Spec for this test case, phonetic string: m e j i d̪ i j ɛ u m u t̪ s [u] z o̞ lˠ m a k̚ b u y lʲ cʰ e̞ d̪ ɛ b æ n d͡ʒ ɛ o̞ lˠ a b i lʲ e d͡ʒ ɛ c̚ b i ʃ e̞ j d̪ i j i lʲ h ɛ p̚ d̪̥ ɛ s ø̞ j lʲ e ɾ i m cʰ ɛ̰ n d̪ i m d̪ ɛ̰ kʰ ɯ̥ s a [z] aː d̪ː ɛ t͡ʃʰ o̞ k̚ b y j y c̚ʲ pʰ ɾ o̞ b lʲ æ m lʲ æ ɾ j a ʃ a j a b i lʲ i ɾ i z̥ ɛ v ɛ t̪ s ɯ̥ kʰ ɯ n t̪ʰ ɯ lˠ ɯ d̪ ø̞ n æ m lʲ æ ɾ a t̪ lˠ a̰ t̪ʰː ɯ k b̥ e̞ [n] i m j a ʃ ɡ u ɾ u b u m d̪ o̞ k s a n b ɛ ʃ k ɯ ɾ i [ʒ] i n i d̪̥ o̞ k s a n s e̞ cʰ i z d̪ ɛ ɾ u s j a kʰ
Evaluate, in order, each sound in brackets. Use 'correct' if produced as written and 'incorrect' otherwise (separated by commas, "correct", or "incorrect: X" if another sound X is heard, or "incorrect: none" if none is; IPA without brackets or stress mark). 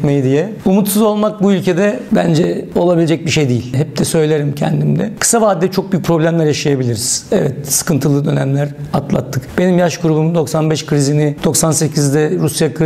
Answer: correct, incorrect: v, correct, incorrect: z